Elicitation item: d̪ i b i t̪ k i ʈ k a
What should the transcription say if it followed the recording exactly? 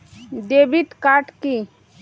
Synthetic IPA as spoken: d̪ e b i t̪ k a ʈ k i